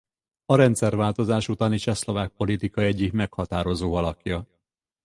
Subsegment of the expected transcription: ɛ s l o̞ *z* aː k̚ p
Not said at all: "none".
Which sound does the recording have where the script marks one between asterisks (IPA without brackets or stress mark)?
v